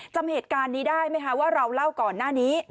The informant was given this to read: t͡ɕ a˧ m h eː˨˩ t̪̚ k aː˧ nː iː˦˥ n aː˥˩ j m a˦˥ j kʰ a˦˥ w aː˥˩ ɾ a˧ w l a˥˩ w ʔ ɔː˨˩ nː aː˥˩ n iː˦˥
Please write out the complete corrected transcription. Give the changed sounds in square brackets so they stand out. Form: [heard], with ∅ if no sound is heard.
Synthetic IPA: t͡ɕ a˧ m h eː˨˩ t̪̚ k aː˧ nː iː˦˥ [d] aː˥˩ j m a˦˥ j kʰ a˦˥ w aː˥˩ ɾ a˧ w l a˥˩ w [k] ɔː˨˩ nː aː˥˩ n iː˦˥